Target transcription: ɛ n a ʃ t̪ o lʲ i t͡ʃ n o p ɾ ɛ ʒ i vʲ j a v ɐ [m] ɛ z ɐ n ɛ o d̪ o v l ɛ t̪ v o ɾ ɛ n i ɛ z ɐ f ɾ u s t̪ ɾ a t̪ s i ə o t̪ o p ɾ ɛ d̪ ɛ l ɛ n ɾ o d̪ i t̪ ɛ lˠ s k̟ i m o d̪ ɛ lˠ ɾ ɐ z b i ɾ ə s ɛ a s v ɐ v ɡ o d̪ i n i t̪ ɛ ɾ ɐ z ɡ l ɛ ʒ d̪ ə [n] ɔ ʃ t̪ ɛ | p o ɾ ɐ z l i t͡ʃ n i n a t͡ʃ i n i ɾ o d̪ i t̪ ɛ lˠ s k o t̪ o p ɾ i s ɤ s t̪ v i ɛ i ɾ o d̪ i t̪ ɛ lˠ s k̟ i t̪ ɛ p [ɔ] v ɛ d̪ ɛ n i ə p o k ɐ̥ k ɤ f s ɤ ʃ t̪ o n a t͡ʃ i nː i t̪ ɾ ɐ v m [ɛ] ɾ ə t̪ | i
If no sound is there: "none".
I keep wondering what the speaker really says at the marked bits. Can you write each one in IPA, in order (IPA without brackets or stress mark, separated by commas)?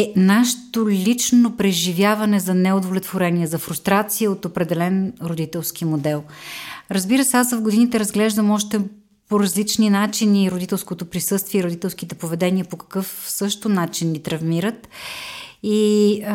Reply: n, m, o, i